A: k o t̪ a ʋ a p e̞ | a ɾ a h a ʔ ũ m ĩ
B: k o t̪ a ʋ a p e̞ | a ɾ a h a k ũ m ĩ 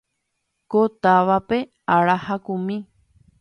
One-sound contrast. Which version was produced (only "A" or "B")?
B